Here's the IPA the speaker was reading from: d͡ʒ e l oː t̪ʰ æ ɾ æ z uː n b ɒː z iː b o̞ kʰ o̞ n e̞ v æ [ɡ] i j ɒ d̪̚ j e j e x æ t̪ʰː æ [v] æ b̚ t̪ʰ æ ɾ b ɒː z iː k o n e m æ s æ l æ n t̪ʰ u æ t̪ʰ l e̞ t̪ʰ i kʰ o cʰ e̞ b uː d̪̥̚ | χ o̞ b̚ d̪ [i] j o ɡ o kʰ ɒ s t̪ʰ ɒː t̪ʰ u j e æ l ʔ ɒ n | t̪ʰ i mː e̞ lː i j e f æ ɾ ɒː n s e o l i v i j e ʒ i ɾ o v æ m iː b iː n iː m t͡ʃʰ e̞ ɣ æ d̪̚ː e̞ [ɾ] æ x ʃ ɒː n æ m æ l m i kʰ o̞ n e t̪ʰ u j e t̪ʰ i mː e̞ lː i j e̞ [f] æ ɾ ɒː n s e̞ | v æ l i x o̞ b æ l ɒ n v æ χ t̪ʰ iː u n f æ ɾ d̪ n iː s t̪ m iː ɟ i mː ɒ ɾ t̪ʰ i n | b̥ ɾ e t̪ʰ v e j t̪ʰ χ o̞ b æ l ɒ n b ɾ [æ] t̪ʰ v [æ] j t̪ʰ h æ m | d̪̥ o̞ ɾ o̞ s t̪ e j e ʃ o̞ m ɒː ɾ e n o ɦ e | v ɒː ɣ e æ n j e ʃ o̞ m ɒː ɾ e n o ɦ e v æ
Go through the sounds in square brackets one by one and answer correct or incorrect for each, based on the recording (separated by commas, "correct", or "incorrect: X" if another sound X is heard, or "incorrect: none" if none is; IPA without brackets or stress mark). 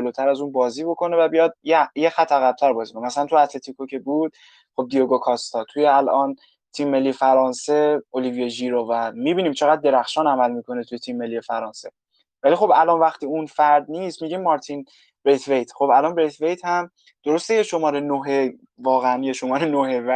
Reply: incorrect: b, incorrect: ɣ, correct, correct, correct, incorrect: e, incorrect: e